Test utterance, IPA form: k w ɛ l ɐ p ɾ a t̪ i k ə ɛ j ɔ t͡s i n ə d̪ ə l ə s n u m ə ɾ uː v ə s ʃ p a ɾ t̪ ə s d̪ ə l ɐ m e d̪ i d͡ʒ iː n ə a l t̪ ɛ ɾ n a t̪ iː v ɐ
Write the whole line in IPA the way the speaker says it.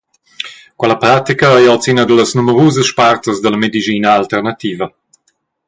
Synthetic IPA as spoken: k w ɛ l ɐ p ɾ a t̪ i k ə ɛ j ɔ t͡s i n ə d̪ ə l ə s n u m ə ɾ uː z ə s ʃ p a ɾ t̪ ə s d̪ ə l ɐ m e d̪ i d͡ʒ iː n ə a l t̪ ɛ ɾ n a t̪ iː v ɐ